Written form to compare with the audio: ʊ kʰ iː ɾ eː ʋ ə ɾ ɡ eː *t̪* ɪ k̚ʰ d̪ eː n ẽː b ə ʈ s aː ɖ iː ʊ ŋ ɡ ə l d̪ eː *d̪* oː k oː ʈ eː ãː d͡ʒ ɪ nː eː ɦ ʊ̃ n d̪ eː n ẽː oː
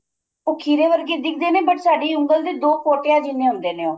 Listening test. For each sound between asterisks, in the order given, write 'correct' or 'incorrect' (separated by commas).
incorrect, correct